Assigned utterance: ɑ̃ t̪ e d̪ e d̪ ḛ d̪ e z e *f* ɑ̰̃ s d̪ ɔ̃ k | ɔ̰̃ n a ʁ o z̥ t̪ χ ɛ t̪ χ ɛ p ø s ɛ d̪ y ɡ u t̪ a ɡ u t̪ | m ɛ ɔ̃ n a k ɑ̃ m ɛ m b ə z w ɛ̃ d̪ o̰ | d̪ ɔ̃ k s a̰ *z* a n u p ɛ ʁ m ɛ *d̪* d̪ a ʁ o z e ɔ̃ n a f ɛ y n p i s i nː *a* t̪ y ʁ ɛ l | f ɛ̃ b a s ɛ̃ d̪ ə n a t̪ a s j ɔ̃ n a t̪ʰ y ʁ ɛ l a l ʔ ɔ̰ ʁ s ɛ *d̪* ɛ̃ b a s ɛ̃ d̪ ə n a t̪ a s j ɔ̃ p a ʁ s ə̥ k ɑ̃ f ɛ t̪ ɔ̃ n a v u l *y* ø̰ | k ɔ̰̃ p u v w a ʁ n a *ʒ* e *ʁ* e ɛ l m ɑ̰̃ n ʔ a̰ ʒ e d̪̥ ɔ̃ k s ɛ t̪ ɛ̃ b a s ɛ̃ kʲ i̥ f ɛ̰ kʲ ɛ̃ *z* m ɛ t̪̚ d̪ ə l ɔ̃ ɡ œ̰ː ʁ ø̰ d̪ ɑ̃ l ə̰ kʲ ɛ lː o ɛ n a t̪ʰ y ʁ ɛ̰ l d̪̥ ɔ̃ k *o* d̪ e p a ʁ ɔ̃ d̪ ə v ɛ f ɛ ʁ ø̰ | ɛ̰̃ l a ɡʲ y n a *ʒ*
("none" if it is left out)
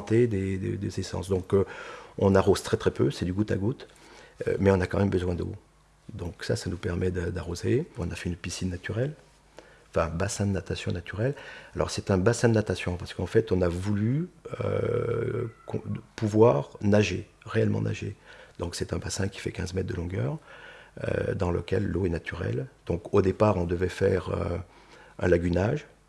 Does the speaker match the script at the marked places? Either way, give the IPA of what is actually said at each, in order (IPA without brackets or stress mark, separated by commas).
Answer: s, s, d̪, a, t̪, y, ʒ, ʁ, z, o, ʒ